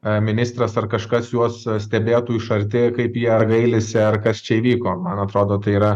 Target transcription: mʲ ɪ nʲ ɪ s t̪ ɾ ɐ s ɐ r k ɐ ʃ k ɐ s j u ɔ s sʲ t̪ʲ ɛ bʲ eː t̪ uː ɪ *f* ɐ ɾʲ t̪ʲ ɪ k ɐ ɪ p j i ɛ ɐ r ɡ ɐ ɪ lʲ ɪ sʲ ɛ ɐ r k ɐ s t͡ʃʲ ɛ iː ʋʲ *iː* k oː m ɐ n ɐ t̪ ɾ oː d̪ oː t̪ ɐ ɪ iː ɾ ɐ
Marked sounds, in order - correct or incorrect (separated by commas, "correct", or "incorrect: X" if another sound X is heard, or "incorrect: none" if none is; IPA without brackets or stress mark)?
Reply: incorrect: ʃ, correct